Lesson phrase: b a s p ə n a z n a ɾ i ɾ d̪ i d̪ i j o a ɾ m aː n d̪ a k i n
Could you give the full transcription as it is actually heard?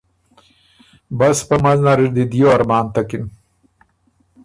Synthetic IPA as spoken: b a s p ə m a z n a ɾ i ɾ d̪ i d̪ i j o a ɾ m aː n t̪ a k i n